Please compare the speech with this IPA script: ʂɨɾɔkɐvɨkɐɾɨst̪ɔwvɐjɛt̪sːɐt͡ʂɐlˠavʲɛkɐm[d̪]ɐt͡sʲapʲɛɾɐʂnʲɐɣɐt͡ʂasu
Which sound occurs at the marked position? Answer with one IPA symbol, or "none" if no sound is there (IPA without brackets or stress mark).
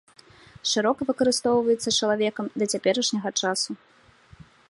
d̪